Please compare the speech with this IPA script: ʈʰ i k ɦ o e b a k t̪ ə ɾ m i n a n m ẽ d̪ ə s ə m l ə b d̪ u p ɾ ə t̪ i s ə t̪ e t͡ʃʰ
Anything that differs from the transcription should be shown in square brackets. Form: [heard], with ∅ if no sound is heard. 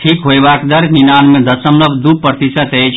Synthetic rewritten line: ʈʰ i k ɦ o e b a k [d̪] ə ɾ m i n a n m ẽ d̪ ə s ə m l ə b d̪ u p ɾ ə t̪ i s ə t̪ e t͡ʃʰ

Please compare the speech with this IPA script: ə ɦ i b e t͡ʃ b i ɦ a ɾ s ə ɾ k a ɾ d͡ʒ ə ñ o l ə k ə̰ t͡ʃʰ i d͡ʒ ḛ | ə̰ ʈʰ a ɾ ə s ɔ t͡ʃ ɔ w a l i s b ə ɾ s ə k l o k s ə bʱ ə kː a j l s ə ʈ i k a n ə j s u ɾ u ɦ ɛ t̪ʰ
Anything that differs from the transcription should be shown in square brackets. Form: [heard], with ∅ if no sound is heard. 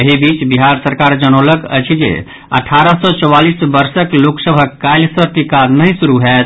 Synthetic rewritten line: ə ɦ i b [i] t͡ʃ b i ɦ a ɾ s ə ɾ k a ɾ d͡ʒ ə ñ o l ə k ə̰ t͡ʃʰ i d͡ʒ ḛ | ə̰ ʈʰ a ɾ ə s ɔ t͡ʃ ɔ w a l i s b ə ɾ s ə k l o k s ə bʱ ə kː a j l s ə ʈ i k a n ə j s u ɾ u ɦ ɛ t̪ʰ

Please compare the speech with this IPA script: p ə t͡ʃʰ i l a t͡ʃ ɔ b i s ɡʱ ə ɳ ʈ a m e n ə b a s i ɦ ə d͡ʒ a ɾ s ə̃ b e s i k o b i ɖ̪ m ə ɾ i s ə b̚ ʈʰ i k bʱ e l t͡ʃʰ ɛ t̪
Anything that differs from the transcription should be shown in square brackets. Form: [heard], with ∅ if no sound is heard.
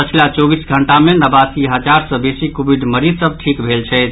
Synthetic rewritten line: p ə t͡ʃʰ i l a t͡ʃ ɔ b i s ɡʱ ə ɳ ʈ a m e n ə b a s i ɦ ə d͡ʒ a ɾ s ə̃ b e s i k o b i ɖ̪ m ə ɾ i s ə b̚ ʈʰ i k bʱ e l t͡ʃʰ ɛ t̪

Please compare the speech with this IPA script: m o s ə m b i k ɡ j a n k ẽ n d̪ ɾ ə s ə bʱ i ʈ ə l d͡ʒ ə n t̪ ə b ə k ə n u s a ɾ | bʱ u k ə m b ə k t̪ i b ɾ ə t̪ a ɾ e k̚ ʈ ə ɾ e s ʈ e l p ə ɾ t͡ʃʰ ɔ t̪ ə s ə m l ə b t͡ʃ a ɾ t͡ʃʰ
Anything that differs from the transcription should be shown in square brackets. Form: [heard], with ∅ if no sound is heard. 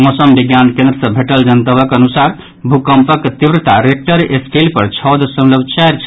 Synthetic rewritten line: m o s ə m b i [∅] ɡ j a n k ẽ n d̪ ɾ ə s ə bʱ [e] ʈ ə l d͡ʒ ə n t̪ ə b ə k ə n u s a ɾ | bʱ u k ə m [p] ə k t̪ i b ɾ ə t̪ a ɾ e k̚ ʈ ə ɾ e s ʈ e l p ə ɾ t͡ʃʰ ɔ [d̪] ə s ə m l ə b t͡ʃ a ɾ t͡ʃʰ

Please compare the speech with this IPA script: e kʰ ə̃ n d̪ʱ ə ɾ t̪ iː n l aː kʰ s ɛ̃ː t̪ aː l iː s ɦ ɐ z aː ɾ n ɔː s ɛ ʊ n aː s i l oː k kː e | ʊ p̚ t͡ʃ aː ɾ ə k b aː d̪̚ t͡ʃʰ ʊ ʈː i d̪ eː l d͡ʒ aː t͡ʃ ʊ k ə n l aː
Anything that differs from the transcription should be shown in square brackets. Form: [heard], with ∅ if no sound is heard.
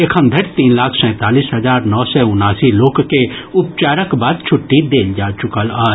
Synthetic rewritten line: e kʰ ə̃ n d̪ʱ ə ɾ t̪ iː n l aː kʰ s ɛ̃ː t̪ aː l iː s ɦ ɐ z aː ɾ n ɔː s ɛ ʊ n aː s i l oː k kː e | ʊ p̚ t͡ʃ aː ɾ ə k b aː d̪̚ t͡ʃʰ ʊ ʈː i d̪ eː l d͡ʒ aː t͡ʃ ʊ k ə [∅] l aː

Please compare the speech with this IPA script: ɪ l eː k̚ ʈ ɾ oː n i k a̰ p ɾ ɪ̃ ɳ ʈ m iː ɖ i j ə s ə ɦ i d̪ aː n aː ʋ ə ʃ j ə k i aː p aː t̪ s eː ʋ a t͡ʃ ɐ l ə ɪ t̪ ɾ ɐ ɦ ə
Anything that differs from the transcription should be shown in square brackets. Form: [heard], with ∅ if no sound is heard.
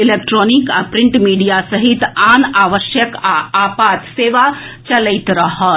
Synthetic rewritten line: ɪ l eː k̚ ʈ ɾ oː n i k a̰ p ɾ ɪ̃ ɳ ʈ m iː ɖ i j [a] s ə ɦ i [t̪] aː n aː ʋ ə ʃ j ə k [a] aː p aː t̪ s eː ʋ a t͡ʃ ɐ l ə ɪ t̪ ɾ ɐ ɦ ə

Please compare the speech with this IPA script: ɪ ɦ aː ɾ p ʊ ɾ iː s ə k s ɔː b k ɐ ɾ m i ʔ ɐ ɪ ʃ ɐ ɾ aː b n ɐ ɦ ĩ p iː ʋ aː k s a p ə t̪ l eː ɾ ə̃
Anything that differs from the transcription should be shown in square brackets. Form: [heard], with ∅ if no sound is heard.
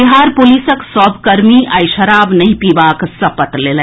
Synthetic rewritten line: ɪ ɦ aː ɾ p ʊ [l] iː s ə k s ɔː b k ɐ ɾ m i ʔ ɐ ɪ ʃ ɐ ɾ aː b n ɐ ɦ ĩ p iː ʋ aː k s [ɐ] p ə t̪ l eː [l] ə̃

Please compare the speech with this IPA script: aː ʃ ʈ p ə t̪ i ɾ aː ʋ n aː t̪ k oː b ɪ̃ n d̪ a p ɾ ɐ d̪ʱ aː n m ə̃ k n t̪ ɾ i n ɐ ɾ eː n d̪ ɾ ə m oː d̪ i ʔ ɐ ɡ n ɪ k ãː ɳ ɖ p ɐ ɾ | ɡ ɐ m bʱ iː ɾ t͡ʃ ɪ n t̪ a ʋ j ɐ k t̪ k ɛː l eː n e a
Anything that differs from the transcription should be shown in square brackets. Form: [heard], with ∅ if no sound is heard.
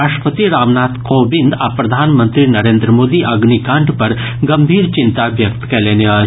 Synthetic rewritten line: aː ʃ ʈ p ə t̪ i ɾ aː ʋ n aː t̪ k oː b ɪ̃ n d̪ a p ɾ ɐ d̪ʱ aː n m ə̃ [∅] n t̪ ɾ i n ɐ ɾ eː n d̪ ɾ ə m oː d̪ i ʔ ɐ ɡ n [i] k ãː ɳ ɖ p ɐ ɾ | ɡ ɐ m bʱ iː ɾ t͡ʃ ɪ n t̪ a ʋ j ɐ k t̪ k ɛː l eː n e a

